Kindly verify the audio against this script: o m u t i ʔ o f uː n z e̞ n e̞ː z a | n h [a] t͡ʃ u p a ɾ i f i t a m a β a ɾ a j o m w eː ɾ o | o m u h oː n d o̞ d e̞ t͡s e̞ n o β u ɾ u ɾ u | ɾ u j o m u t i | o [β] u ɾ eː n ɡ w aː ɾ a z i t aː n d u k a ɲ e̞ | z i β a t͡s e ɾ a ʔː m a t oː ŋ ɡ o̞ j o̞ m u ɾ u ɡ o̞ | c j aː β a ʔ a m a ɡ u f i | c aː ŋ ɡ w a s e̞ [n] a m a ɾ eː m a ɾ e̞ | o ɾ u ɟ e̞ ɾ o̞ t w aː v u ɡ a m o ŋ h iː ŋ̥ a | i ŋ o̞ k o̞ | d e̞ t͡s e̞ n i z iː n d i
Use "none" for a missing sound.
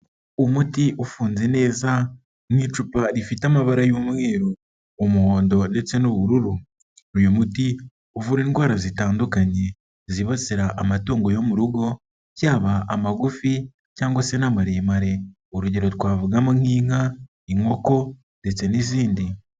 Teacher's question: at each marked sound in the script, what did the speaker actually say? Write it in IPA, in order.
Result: i, v, n

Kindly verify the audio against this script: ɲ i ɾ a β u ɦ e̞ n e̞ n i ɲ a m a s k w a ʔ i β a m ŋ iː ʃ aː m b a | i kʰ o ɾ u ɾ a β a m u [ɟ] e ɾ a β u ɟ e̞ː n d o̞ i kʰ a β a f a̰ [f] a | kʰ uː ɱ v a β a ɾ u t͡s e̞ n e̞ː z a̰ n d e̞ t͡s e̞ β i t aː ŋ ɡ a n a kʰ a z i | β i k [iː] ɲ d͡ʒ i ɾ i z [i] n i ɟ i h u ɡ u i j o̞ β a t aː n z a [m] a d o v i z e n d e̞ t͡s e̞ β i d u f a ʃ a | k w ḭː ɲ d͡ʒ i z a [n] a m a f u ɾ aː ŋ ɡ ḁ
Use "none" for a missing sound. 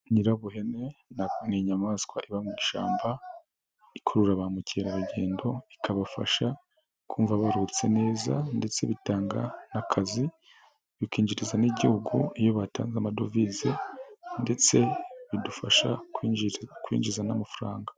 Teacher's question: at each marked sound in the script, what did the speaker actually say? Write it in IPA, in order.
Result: c, ʃ, iː, a, m, n

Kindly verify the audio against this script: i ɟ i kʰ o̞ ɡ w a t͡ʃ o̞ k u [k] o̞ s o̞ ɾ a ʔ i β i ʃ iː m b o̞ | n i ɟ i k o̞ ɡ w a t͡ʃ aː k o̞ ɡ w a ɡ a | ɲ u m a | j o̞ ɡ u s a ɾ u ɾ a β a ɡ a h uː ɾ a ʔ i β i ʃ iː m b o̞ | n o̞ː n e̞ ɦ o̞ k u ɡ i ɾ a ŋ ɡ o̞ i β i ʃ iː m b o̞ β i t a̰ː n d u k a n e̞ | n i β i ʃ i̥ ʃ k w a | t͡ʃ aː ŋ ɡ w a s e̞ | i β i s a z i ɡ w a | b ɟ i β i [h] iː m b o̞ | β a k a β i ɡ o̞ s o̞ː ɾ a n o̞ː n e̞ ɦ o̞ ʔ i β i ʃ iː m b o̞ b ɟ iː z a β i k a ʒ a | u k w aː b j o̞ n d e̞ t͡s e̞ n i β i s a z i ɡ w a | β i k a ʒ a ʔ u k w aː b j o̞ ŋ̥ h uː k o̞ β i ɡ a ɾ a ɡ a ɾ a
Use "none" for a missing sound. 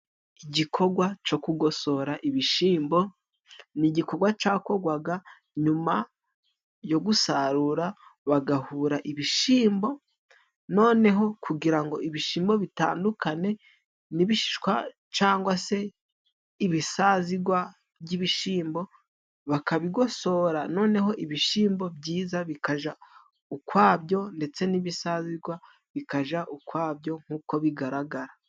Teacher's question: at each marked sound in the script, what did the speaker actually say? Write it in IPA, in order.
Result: ɡ, ʃ

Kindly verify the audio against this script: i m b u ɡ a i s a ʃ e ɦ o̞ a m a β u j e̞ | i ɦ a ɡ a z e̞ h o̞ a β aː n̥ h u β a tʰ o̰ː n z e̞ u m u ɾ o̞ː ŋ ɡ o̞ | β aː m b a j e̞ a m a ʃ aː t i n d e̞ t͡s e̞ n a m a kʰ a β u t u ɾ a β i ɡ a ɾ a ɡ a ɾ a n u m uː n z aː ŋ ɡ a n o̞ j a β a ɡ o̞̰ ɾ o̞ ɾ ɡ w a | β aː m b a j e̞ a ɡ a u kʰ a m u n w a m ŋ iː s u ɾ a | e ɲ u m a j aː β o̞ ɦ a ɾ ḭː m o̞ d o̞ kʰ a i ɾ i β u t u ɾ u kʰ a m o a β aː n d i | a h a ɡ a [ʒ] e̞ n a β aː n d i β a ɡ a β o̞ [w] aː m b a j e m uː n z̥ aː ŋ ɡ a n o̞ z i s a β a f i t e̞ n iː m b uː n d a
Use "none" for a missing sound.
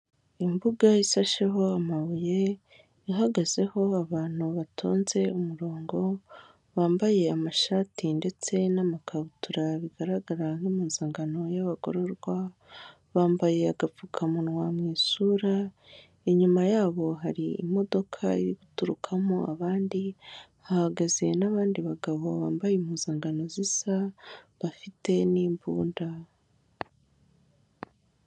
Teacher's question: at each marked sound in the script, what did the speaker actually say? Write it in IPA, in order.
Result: z, β

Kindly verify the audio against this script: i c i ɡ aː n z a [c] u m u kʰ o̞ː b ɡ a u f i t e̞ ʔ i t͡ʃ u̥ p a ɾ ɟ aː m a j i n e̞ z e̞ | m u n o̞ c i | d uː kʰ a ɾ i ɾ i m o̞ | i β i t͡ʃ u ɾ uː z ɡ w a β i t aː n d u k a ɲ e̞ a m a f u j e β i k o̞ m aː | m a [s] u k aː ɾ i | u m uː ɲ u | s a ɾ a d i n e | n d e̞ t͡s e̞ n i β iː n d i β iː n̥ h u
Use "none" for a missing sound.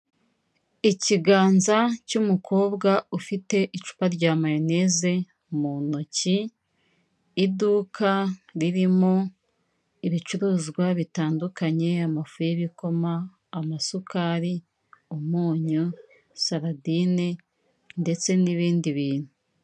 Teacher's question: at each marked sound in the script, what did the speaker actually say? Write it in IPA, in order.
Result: c, s

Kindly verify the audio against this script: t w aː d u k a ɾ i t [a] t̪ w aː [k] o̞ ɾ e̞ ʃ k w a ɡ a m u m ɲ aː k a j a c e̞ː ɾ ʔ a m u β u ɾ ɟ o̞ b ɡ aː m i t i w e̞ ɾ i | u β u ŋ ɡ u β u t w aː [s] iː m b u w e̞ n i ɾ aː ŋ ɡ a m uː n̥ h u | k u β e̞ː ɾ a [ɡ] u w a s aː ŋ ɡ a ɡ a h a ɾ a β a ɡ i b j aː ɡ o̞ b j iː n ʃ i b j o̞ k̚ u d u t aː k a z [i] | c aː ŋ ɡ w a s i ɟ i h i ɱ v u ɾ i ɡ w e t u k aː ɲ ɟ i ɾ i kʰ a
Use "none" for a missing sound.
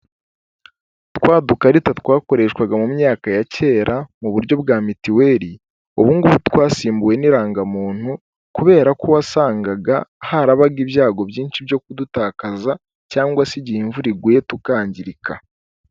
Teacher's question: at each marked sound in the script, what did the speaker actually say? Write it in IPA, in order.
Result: a, k, s, k, a

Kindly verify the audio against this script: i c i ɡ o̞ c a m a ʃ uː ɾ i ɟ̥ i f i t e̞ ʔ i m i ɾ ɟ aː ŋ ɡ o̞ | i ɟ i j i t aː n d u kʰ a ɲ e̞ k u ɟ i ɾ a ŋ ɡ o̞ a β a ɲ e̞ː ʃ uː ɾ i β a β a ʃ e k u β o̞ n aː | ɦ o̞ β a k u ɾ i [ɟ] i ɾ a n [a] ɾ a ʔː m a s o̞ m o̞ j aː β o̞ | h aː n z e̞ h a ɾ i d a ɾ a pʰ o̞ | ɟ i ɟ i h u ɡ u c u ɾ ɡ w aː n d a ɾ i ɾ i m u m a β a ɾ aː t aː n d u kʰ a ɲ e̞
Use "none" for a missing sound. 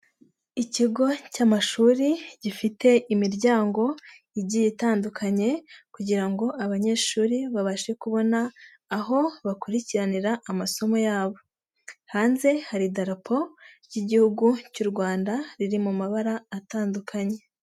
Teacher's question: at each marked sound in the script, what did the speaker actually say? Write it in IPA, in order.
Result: c, i

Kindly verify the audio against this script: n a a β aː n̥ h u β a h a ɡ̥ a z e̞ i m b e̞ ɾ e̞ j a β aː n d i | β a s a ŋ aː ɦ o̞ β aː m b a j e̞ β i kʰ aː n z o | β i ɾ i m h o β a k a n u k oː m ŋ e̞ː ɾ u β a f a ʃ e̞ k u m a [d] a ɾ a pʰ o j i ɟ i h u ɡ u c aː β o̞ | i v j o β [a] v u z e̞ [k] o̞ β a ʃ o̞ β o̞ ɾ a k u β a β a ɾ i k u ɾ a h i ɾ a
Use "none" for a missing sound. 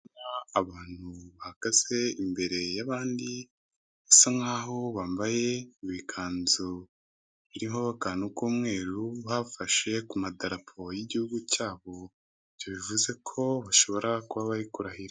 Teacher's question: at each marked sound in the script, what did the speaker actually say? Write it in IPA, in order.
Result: d, i, kʰ

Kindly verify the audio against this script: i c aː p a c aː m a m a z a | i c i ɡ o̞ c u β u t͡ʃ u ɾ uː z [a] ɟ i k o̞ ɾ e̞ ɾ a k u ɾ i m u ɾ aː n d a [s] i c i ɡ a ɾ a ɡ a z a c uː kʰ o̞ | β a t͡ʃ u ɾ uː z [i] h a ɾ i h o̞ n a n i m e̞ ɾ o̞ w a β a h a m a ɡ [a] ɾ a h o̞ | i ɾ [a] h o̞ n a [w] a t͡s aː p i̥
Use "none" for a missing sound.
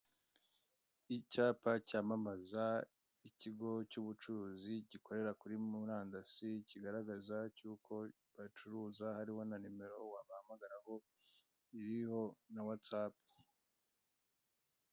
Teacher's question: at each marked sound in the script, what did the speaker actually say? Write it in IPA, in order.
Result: i, s, a, a, i, w

